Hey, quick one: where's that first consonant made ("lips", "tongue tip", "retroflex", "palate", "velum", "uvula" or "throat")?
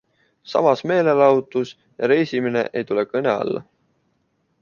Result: tongue tip